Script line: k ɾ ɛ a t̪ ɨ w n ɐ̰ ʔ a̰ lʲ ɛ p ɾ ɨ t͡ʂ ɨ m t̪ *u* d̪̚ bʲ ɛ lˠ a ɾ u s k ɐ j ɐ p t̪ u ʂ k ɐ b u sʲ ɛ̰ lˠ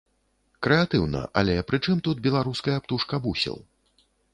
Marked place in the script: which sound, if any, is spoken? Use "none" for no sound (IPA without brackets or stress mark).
u